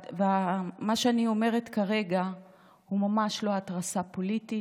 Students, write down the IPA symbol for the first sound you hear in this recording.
v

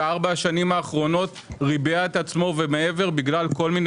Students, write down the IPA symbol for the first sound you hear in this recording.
a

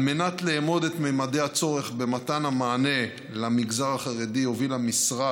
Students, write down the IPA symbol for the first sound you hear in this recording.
m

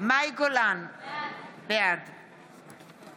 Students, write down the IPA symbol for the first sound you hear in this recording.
m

